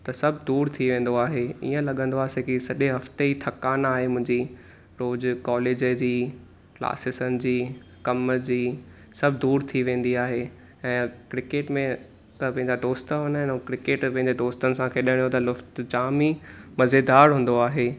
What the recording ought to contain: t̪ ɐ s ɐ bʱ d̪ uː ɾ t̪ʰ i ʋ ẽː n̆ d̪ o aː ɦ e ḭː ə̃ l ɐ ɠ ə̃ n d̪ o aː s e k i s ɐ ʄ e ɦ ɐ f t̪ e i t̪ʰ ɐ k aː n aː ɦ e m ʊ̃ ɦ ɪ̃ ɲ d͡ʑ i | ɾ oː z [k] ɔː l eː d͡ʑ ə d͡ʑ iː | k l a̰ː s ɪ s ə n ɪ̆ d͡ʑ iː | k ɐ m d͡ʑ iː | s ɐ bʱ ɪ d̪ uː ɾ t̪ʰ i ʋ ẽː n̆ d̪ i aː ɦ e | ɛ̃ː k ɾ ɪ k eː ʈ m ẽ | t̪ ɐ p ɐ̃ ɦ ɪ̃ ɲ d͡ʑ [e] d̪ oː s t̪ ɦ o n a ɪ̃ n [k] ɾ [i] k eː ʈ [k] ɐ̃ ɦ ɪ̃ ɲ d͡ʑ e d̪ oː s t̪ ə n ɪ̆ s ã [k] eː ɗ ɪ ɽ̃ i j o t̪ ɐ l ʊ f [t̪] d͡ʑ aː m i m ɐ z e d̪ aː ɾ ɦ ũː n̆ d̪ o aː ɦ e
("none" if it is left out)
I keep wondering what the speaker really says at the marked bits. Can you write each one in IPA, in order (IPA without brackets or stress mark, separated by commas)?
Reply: k, a, k, ɪ, p, kʰ, t̪